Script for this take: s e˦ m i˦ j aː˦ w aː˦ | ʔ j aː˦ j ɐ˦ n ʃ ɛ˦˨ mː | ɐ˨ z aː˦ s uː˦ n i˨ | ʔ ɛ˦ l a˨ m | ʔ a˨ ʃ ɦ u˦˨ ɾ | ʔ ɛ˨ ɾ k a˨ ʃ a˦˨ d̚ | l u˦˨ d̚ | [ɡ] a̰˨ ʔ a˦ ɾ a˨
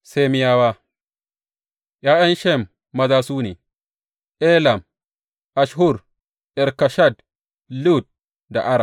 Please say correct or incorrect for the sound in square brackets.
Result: incorrect